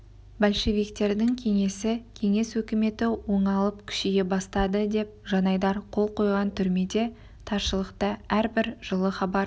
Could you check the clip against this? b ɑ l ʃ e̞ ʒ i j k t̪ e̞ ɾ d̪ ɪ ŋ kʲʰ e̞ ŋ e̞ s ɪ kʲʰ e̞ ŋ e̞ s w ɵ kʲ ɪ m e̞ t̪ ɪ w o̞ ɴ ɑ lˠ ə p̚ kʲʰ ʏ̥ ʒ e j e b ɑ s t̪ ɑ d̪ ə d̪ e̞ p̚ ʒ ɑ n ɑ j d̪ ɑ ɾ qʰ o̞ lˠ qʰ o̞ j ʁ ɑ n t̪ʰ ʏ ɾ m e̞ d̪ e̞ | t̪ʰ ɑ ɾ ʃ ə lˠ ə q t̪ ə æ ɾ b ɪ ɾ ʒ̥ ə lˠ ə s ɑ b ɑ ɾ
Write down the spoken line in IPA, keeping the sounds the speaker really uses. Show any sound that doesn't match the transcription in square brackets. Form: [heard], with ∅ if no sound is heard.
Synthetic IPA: b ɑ l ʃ e̞ [v] i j k t̪ e̞ ɾ d̪ ɪ ŋ kʲʰ e̞ ŋ e̞ s ɪ kʲʰ e̞ ŋ e̞ s w ɵ kʲ ɪ m e̞ t̪ ɪ w o̞ ɴ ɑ lˠ ə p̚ kʲʰ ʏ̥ [ʃ] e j e b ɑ s t̪ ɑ d̪ ə d̪ e̞ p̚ ʒ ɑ n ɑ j d̪ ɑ ɾ qʰ o̞ lˠ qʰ o̞ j ʁ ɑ n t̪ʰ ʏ ɾ m e̞ d̪ e̞ | t̪ʰ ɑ ɾ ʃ ə lˠ ə q t̪ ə æ ɾ b ɪ ɾ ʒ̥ ə lˠ ə [χ] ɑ b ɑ ɾ